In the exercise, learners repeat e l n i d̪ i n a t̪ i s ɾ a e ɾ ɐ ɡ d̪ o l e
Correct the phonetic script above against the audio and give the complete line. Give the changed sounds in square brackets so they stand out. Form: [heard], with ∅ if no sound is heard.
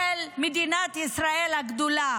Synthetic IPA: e l [m] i d̪ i n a t̪ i s ɾ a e [l] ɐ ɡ d̪ [u] l [a]